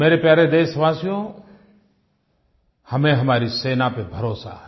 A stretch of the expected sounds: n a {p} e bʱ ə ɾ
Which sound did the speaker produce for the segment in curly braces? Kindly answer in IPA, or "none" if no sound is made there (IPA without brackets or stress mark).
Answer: p